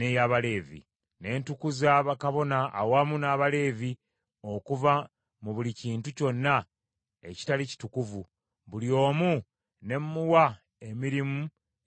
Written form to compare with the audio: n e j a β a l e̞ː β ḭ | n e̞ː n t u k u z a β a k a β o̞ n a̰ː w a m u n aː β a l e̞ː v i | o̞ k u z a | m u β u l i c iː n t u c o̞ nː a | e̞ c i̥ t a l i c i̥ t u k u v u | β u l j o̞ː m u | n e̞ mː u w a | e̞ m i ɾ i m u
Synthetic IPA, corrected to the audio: n e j a β a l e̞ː v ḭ | n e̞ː n t u k u z a β a k a β o̞ n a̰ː w a m u n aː β a l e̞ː v i | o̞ k u v a | m u β u l i c iː n t u c o̞ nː a | e̞ c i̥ t a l i c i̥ t u k u v u | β u l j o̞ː m u | n e̞ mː u w a | e̞ m i ɾ i m u